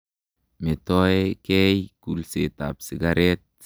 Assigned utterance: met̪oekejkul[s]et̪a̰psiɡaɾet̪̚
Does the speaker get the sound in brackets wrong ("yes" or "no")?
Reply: no